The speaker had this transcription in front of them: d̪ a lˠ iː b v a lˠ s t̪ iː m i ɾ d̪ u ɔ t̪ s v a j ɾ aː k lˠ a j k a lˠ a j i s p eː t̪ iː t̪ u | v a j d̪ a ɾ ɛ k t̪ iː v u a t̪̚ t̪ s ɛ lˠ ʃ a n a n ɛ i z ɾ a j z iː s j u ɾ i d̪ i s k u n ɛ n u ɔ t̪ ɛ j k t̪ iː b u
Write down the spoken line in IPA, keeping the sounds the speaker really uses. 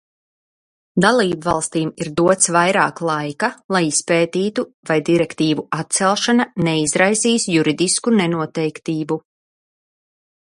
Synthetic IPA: d̪ a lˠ iː b v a lˠ s t̪ iː m i ɾ d̪ u ɔ t̪ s v a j ɾ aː k lˠ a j k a lˠ a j i s p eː t̪ iː t̪ u | v a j d̪ i ɾ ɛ k t̪ iː v u a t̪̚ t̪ s ɛ lˠ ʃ a n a n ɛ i z ɾ a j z iː s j u ɾ i d̪ i s k u n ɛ n u ɔ t̪ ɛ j k t̪ iː b u